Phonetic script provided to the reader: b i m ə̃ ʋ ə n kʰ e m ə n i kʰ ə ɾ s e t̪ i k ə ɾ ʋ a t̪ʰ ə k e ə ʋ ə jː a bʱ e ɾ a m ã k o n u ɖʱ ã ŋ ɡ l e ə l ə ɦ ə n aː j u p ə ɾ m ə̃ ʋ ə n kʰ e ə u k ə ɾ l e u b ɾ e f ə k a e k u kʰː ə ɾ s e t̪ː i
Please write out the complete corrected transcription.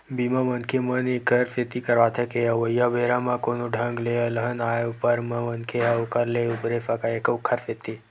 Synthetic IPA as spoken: b i m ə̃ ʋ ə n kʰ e m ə n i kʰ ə ɾ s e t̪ i k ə ɾ ʋ a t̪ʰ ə k e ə ʋ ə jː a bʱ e ɾ a m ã k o n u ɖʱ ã ŋ ɡ l e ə l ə ɦ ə n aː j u p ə ɾ m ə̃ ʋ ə n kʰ e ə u k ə ɾ l e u b ɾ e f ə k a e k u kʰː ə ɾ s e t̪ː i

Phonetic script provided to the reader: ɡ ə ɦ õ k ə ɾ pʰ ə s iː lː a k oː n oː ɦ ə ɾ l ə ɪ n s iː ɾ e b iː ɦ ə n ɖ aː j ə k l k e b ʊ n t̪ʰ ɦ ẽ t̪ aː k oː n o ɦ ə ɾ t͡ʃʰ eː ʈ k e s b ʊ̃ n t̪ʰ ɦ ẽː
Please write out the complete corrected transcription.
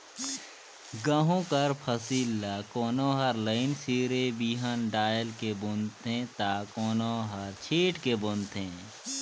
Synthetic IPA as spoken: ɡ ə ɦ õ k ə ɾ pʰ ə s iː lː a k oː n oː ɦ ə ɾ l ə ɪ n s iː ɾ e b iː ɦ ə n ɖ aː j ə l k e b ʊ n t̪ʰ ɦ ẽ t̪ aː k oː n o ɦ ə ɾ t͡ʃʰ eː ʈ k e b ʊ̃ n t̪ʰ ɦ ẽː

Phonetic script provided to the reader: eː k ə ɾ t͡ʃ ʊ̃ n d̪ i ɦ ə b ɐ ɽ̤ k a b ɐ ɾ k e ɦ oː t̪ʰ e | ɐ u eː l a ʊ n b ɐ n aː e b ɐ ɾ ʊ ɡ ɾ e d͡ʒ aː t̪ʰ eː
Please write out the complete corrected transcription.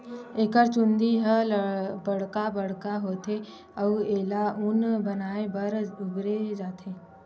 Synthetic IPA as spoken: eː k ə ɾ t͡ʃ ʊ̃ n d̪ i ɦ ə b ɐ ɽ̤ k a b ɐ ɽ k a ɦ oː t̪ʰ e | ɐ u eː l a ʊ n b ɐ n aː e b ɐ ɾ ʊ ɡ ɾ e d͡ʒ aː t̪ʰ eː

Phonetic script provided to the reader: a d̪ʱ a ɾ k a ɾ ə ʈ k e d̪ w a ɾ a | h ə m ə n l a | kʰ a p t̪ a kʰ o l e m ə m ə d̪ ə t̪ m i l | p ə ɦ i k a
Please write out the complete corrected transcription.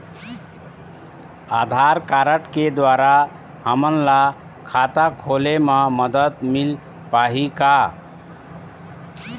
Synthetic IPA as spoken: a d̪ʱ a ɾ k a ɾ ə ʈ k e d̪ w a ɾ a | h ə m ə n l a | kʰ a t̪ a kʰ o l e m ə m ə d̪ ə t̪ m i l | p a ɦ i k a

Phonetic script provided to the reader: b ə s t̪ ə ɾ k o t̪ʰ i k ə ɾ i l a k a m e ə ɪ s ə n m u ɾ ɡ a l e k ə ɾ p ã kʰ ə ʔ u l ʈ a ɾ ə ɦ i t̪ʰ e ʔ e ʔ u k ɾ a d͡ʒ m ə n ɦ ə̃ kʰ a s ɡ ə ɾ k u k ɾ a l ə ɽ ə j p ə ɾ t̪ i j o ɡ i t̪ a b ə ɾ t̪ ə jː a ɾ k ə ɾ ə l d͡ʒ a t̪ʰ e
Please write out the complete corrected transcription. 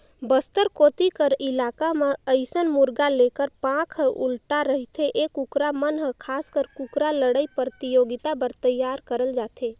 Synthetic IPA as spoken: b ə s t̪ ə ɾ k o t̪ i k ə ɾ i l a k a m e ə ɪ s ə n m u ɾ ɡ a l e k ə ɾ p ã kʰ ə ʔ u l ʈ a ɾ ə ɦ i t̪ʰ e ʔ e k u k ɾ a m ə n ɦ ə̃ kʰ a s k ə ɾ k u k ɾ a l ə ɽ ə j p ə ɾ t̪ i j o ɡ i t̪ a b ə ɾ t̪ ə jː a ɾ k ə ɾ ə l d͡ʒ a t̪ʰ e

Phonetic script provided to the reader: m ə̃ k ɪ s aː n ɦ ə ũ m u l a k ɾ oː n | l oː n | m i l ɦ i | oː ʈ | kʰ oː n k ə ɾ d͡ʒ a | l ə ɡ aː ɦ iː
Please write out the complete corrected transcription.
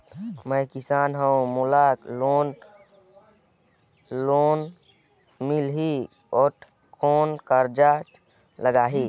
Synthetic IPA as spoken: m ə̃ k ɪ s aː n ɦ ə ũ m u l a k l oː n | l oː n | m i l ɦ i | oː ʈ | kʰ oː n k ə ɾ d͡ʒ a | l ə ɡ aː ɦ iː

